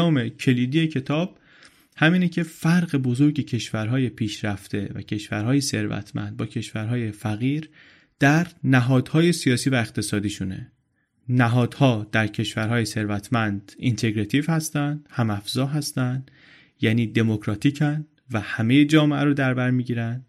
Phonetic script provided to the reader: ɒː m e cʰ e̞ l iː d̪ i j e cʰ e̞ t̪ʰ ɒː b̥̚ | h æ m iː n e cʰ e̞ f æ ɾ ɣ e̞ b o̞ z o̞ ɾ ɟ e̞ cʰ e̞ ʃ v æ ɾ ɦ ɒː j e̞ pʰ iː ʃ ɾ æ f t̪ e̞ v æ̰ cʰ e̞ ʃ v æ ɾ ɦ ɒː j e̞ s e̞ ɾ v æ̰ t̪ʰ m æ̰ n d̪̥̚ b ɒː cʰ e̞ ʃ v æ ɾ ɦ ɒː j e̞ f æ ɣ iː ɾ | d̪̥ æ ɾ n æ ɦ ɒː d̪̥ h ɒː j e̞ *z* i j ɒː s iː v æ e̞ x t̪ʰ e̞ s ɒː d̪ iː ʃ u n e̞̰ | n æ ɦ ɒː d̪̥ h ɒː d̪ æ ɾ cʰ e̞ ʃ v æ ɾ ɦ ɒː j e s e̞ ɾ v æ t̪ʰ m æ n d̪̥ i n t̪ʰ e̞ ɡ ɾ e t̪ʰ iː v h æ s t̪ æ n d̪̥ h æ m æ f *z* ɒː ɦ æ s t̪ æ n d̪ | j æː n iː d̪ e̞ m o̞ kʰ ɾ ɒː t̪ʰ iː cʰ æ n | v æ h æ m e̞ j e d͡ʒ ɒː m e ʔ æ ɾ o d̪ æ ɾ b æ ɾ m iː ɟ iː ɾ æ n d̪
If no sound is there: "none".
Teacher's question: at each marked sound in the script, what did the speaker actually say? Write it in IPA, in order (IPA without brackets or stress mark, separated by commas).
s, z